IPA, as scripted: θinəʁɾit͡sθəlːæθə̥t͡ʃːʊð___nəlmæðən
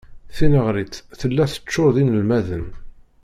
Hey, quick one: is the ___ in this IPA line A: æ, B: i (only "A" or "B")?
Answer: B